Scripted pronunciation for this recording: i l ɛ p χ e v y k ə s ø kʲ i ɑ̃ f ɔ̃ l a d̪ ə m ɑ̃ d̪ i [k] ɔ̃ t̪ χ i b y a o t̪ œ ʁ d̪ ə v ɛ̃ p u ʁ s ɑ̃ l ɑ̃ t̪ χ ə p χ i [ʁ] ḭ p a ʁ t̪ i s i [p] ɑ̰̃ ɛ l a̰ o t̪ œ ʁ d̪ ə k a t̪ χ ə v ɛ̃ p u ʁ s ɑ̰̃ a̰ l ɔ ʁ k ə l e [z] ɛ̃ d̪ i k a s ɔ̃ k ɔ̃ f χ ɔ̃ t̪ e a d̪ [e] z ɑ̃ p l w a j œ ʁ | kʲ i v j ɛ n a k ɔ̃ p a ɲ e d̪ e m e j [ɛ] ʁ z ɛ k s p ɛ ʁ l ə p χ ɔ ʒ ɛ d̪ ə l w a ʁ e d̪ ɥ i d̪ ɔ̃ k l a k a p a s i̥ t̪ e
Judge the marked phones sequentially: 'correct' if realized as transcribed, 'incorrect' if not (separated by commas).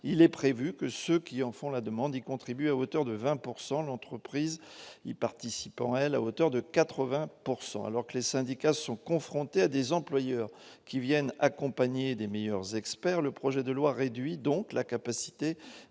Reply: correct, incorrect, correct, incorrect, correct, incorrect